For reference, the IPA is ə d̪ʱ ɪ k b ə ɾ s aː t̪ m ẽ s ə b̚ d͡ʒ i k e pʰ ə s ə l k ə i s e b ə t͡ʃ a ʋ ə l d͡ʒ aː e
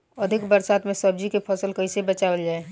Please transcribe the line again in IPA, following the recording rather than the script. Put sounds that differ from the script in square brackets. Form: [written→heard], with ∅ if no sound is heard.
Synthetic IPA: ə d̪ʱ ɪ k b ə ɾ s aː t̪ m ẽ s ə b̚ d͡ʒ i k e pʰ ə s ə l k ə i s e b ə t͡ʃ a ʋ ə l d͡ʒ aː e

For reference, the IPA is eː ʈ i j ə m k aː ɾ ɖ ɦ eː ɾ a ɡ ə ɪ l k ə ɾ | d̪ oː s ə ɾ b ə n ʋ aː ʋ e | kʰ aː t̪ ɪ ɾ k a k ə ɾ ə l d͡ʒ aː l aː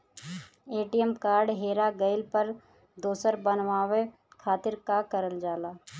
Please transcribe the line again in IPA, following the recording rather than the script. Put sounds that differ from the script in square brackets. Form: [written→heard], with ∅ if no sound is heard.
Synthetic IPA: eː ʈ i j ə m k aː ɾ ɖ ɦ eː ɾ a ɡ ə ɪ l [k→p] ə ɾ | d̪ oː s ə ɾ b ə n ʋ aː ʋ e | kʰ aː t̪ ɪ ɾ k a k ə ɾ ə l d͡ʒ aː l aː

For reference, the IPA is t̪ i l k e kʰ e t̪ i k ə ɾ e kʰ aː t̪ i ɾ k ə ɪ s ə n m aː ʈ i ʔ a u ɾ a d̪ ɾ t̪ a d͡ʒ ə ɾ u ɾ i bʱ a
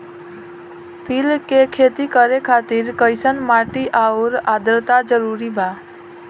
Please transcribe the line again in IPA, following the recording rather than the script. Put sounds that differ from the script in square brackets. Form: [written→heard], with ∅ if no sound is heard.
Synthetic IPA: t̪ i l k e kʰ e t̪ i k ə ɾ e kʰ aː t̪ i ɾ k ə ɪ s ə n m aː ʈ i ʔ a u ɾ a d̪ ɾ t̪ a d͡ʒ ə ɾ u ɾ i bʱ a

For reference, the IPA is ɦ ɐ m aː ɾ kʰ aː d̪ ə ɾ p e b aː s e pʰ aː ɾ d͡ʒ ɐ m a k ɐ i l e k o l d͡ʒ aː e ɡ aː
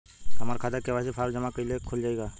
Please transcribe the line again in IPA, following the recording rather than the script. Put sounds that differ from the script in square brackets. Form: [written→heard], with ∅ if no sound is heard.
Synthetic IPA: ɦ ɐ m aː ɾ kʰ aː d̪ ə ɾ [p→k] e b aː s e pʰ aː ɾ d͡ʒ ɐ m a k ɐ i l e [k→kʰ] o l d͡ʒ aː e ɡ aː

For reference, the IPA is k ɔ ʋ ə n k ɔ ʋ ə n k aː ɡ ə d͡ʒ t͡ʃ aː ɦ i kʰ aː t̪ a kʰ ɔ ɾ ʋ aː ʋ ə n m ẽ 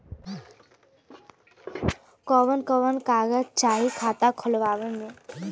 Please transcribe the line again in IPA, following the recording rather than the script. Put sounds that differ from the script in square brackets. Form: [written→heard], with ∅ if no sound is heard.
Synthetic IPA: k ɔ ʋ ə n k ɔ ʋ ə n k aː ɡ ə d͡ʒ t͡ʃ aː ɦ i kʰ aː t̪ a kʰ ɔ [ɾ→l] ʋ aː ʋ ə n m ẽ

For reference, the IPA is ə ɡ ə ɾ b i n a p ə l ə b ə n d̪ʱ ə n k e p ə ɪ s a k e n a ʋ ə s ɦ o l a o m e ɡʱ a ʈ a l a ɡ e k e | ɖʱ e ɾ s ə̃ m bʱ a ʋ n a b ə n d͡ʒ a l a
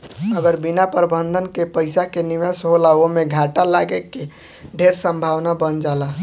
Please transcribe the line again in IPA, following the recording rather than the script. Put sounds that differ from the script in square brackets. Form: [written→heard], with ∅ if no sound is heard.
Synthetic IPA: ə ɡ ə ɾ b i n a p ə [l→ɾ] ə b ə n d̪ʱ ə n k e p ə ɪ s a k e n [a→i] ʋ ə s ɦ o l a o m e ɡʱ a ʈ a l a ɡ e k e | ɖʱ e ɾ s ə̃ m bʱ a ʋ n a b ə n d͡ʒ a l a

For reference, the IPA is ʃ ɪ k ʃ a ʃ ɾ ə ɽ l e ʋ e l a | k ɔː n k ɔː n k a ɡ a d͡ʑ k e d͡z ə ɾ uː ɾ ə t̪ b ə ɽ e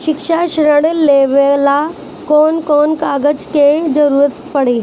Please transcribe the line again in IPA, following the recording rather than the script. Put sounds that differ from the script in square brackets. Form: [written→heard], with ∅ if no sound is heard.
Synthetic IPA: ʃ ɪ k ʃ a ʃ ɾ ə ɽ l e ʋ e l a | k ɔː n k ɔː n k a ɡ [a→ə] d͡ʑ k e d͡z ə ɾ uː ɾ ə t̪ [b→p] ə ɽ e

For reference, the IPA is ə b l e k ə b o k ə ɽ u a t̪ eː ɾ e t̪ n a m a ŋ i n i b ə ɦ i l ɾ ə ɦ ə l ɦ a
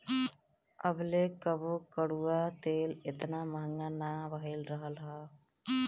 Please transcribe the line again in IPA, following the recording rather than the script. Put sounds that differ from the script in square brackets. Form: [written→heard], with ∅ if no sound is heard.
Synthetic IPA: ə b l e k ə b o k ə ɽ u a t̪ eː [ɾ→l] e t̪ n a m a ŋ [i→a] n [i→a] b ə ɦ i l ɾ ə ɦ ə l ɦ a

